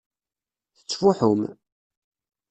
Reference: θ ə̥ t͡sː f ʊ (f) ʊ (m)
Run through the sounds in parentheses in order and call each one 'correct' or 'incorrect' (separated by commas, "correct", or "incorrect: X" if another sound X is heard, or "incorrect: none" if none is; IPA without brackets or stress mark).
incorrect: ħ, correct